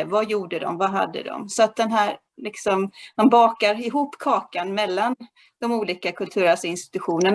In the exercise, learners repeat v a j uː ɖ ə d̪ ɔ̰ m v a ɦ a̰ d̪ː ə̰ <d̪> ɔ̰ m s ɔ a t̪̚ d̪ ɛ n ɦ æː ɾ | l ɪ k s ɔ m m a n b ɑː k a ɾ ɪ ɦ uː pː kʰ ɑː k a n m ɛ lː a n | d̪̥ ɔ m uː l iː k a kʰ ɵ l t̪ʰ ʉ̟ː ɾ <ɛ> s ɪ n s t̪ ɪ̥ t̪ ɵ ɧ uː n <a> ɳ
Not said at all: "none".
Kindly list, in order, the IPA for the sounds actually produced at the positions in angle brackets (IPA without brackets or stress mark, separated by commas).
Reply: d̪, a, ə